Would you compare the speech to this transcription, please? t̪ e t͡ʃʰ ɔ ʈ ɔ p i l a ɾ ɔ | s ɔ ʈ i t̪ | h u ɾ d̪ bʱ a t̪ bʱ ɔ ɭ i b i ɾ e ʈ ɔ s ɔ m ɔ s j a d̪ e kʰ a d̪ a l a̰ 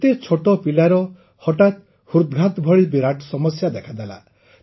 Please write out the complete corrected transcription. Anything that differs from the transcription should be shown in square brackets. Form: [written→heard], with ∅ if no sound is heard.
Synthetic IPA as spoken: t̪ e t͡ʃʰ [ɔ→o] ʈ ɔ p i l a ɾ ɔ | [s→h] ɔ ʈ [i→a] t̪ | h u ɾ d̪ [bʱ→ɡʱ] a t̪ bʱ ɔ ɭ i b i ɾ [e→a] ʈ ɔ s ɔ m ɔ s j a d̪ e kʰ a d̪ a l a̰